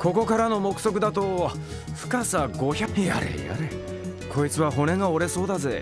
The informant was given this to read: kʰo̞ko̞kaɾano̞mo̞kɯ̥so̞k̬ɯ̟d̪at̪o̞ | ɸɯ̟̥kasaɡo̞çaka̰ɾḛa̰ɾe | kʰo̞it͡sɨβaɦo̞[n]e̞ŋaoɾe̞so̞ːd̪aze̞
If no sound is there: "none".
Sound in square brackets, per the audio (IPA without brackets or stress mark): n